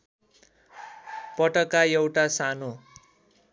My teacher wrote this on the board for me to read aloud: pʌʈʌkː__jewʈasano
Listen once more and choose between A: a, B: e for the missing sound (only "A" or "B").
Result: A